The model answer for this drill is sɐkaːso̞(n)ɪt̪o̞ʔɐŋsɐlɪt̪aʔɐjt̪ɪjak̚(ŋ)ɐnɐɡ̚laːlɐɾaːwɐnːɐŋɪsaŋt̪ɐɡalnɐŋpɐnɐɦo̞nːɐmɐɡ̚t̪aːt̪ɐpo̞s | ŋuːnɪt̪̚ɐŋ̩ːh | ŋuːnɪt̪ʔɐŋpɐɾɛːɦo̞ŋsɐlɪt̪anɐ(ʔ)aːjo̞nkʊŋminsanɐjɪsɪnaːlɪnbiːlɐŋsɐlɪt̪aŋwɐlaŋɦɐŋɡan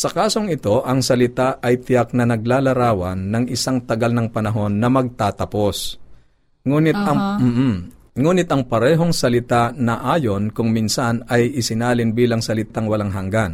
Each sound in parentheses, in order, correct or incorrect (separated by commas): incorrect, incorrect, correct